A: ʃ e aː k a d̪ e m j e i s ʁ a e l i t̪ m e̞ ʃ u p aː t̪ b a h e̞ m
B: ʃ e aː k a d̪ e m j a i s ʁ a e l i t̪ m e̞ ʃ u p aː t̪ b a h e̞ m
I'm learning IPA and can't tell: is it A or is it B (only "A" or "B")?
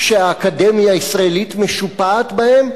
B